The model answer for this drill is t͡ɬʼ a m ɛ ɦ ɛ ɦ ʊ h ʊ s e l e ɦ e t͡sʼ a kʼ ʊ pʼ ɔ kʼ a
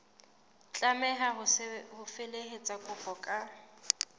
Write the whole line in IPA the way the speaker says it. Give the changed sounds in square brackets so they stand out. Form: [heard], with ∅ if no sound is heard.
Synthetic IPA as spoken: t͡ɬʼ a m ɛ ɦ [a] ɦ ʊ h ʊ [f] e l e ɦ e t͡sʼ a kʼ ʊ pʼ ɔ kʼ a